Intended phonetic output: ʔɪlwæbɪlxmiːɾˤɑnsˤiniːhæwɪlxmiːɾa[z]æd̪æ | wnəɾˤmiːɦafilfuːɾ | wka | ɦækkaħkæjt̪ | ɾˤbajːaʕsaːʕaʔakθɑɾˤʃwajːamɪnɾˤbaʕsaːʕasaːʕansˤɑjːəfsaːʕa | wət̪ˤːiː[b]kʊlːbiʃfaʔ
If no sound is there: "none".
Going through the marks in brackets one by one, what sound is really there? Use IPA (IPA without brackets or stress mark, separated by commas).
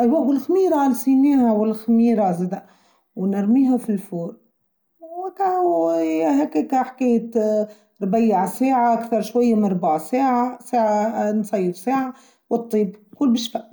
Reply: z, b